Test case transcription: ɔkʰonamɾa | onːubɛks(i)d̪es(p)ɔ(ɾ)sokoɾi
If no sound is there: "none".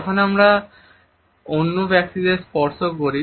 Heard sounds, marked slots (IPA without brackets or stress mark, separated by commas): i, p, ɾ